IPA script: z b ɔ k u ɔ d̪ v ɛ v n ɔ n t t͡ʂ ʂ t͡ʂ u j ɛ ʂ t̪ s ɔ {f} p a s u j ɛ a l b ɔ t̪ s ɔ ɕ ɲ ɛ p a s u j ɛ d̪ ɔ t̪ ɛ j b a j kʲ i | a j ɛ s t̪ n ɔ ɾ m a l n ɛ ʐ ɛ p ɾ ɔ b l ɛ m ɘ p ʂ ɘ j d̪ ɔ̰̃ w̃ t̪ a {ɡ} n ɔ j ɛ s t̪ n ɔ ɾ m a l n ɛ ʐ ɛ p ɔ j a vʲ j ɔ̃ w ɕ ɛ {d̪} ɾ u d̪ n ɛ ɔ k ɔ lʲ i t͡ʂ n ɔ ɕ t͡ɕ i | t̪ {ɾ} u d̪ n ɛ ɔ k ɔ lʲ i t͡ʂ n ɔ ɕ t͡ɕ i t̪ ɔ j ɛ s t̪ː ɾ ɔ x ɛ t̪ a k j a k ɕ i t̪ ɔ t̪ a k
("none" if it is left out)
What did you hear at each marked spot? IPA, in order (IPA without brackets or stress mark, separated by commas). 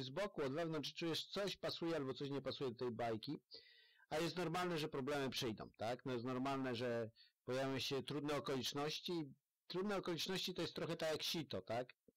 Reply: ɕ, k, t̪, ɾ